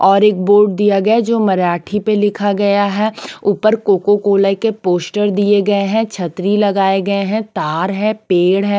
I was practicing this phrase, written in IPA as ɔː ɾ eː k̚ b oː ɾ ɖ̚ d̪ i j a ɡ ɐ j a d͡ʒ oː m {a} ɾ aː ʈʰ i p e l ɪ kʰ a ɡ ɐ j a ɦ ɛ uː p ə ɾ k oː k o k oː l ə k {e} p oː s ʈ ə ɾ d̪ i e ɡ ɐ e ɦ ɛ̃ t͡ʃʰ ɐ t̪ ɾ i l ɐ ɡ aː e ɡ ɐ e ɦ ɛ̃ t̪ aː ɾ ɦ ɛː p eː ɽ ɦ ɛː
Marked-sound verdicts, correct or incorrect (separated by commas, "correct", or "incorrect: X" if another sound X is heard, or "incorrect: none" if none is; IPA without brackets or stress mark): incorrect: ɐ, correct